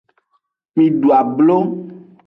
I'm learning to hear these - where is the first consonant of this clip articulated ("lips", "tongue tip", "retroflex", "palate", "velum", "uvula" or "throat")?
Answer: lips